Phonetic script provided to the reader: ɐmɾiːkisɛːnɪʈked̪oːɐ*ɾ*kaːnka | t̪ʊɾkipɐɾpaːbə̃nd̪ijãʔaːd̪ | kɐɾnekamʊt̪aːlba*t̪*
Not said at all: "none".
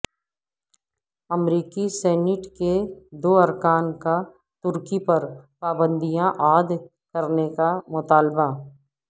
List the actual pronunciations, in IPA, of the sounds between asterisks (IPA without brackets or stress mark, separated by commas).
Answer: ɾ, none